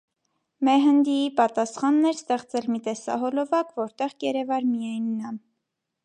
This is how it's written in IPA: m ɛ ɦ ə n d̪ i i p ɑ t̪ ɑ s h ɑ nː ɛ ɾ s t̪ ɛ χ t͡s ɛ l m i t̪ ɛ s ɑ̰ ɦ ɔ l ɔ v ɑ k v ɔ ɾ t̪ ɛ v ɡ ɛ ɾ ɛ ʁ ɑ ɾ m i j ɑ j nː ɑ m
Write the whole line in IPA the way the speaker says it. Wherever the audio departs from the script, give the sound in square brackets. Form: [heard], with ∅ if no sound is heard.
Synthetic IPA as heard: m ɛ ɦ ə n d̪ i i p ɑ t̪ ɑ s [χ] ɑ nː ɛ ɾ s t̪ ɛ χ t͡s ɛ l m i t̪ ɛ s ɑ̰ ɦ ɔ l ɔ v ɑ k v ɔ ɾ t̪ ɛ [ʁ] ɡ ɛ ɾ ɛ [v] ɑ ɾ m i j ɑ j nː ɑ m